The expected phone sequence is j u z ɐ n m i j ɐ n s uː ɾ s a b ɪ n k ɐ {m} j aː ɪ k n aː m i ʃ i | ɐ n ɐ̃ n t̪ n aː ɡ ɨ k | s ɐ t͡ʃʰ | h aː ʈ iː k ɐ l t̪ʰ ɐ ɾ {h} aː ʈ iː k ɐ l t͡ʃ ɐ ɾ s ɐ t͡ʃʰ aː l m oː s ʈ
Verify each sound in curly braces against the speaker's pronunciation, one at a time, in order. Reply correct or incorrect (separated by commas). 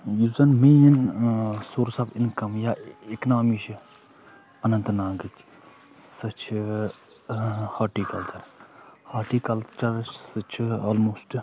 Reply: correct, correct